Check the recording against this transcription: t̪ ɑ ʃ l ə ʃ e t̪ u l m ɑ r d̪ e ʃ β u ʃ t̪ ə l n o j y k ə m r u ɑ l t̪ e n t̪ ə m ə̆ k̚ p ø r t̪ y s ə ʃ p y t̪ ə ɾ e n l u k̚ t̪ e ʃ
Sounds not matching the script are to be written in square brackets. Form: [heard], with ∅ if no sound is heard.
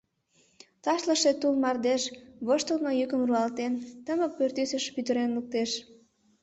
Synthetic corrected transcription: t̪ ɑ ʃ l ə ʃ e t̪ u l m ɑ r d̪ e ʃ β [o] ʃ t̪ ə l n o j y k ə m r u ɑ l t̪ e n t̪ ə m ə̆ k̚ p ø r t̪ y s ə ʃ p y t̪ ə ɾ e n l u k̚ t̪ e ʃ